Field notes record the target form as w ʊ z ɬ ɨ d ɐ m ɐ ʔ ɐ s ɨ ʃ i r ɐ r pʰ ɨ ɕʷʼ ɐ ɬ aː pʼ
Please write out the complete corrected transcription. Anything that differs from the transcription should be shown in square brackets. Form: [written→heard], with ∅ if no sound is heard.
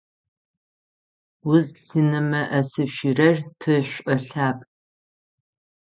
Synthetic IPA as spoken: w ʊ z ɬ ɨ [d→n] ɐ m ɐ ʔ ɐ s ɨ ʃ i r ɐ r pʰ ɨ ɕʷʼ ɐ ɬ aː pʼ